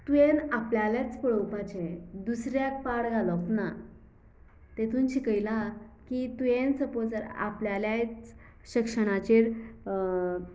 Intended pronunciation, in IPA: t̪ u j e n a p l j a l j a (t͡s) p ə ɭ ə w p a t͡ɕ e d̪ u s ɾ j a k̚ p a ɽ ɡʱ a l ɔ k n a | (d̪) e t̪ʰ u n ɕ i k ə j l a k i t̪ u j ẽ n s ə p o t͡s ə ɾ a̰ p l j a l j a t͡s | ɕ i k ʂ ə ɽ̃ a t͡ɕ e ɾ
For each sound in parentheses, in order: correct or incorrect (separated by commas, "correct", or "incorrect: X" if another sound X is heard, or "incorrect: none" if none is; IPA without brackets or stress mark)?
correct, incorrect: t̪